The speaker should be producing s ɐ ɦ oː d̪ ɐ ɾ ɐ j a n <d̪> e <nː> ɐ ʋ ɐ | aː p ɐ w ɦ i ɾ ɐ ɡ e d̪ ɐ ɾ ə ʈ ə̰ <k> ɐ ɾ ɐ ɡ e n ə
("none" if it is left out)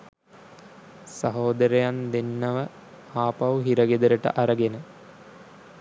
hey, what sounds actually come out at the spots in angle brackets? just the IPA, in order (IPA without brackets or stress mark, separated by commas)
d̪, nː, ʔ